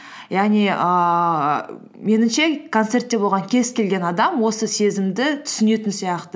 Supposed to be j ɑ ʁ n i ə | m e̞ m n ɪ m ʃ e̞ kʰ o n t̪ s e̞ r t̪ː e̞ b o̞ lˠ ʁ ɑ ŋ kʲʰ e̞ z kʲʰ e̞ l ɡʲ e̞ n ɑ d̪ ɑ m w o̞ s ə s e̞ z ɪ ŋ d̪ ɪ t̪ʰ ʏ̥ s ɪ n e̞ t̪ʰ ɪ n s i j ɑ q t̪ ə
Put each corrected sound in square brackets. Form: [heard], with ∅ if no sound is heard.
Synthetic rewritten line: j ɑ ʁ n i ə | m e̞ [∅] n ɪ m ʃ e̞ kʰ o n t̪ s e̞ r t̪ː e̞ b o̞ lˠ ʁ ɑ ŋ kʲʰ e̞ z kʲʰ e̞ l ɡʲ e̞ n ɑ d̪ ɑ m w o̞ s ə s e̞ z ɪ [m] d̪ ɪ t̪ʰ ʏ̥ s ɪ n e̞ [t̪] ɪ n s i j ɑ q t̪ ə

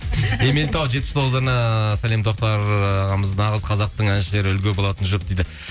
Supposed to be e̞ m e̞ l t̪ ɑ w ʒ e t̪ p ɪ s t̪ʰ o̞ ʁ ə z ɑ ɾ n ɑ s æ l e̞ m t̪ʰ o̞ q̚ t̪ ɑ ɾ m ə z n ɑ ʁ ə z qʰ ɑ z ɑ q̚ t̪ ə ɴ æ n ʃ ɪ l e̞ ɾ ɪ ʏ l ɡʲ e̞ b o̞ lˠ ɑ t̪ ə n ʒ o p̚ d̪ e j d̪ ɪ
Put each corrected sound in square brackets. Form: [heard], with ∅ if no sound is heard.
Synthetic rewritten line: e̞ m e̞ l t̪ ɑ w ʒ e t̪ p ɪ s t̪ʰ o̞ ʁ ə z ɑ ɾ n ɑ s æ l e̞ m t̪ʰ o̞ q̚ t̪ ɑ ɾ m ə z n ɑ ʁ ə z qʰ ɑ z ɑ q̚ t̪ ə ɴ æ n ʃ ɪ l e̞ ɾ ɪ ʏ l ɡʲ e̞ b o̞ lˠ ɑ t̪ ə n ʒ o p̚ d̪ e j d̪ ɪ

